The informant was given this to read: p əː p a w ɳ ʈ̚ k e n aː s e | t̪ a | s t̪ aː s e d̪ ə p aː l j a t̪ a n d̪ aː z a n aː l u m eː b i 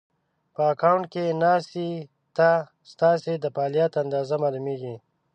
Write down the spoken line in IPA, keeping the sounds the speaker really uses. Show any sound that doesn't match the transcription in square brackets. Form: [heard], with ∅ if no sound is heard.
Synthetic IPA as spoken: p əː [k] a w ɳ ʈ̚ k e n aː s [i] | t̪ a | s t̪ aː s e d̪ ə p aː l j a t̪ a n d̪ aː z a [m] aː l u m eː [ɡ] i

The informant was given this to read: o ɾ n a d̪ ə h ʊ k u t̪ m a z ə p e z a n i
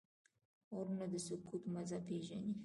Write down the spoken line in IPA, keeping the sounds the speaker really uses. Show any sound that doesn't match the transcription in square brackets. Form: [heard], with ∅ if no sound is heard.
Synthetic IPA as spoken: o ɾ n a d̪ ə [s] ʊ k u t̪ m a z [a] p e [ʒ] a n i

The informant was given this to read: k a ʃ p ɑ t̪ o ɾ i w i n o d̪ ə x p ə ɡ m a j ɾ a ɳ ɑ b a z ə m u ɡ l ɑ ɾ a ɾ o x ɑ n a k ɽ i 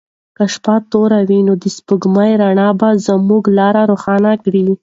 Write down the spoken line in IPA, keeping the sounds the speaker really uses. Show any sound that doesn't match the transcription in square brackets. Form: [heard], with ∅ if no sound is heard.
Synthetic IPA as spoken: k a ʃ p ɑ t̪ o ɾ [a] w i n o d̪ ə [s] p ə ɡ m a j ɾ a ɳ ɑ b a z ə m u ɡ l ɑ ɾ a ɾ o x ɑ n a k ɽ i

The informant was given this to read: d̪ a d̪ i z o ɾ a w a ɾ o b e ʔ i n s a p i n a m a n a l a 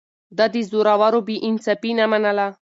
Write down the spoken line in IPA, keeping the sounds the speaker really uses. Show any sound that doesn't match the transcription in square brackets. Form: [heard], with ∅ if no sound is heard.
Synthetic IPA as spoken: d̪ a d̪ i z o ɾ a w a ɾ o b [i] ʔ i n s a p i n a m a n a l a

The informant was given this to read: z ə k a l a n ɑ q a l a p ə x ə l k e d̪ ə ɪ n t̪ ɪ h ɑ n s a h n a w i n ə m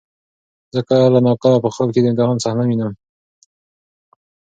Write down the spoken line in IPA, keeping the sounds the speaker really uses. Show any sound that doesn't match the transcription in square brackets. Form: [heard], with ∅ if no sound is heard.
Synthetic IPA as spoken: z ə k a l a n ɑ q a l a p ə x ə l k e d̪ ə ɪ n t̪ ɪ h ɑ n s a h n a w i n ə m

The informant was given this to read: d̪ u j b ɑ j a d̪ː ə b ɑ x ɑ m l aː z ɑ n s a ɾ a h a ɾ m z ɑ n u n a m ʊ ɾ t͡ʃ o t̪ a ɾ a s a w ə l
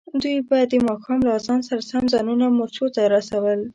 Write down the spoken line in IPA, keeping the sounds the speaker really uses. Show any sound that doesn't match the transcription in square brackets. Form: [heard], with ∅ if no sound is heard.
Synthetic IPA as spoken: d̪ u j b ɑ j a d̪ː ə [m] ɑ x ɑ m l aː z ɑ n s a ɾ a [s] a [∅] m z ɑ n u n a m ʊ ɾ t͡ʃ o t̪ a ɾ a s a w ə l

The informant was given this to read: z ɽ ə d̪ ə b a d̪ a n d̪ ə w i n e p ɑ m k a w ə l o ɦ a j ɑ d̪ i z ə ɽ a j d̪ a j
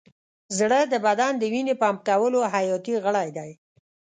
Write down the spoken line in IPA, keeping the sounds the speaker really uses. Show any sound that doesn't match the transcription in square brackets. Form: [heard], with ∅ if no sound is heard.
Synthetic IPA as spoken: z ɽ ə d̪ ə b a d̪ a n d̪ ə w i n e p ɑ m k a w ə l o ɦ a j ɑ [t̪] i [ɣ] ə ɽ a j d̪ a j

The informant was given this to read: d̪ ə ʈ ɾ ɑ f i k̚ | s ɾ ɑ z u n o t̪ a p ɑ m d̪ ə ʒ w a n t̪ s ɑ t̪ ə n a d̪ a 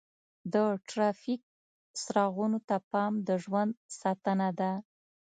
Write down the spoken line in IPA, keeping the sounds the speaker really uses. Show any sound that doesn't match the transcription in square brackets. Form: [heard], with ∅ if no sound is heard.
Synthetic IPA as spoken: d̪ ə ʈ ɾ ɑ f i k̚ | s ɾ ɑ [ɣ] u n o t̪ a p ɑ m d̪ ə ʒ w a n [d̪] s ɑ t̪ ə n a d̪ a

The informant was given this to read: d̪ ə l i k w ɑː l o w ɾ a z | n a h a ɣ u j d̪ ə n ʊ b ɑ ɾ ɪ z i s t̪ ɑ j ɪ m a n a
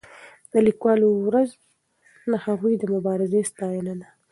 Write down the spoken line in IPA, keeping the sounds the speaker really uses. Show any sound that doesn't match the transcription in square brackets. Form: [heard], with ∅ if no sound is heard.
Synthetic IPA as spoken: d̪ ə l i k w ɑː l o w ɾ a z | n a h a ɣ u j d̪ ə [m] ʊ b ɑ ɾ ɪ z [e] s t̪ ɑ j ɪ [n] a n a

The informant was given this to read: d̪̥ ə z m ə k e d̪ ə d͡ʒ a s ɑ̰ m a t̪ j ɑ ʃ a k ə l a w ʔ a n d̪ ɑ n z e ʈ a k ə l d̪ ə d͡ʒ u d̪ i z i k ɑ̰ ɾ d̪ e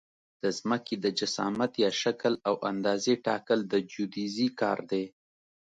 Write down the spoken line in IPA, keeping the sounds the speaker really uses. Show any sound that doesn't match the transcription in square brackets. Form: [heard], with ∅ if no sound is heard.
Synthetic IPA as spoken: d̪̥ ə z m ə k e d̪ ə d͡ʒ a s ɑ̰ m a t̪ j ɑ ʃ a k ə l a w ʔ a n d̪ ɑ [∅] z e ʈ [ɑ] k ə l d̪ ə d͡ʒ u d̪ i z i k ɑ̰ ɾ d̪ e

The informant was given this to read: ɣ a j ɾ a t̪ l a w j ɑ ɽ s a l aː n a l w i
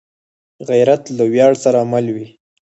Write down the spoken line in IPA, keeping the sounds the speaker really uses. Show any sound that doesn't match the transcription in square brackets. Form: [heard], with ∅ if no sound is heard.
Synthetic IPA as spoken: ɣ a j ɾ a t̪ l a w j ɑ ɽ s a [ɾ] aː [m] a l w i

